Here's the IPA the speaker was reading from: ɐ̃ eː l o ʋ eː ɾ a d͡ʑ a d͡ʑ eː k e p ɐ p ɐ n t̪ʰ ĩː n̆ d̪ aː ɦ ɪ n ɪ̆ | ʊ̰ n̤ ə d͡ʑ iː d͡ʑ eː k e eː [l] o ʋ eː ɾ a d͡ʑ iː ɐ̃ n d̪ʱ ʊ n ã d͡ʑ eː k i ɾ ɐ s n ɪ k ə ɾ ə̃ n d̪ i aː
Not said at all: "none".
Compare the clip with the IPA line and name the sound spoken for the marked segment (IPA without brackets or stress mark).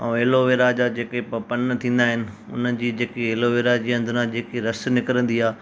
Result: l